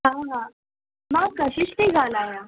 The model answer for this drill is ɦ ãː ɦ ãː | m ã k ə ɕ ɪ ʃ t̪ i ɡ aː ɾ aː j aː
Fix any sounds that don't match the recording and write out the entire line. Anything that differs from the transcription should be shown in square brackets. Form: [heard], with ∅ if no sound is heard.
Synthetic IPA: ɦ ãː ɦ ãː | m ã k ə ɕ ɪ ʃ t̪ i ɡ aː [l] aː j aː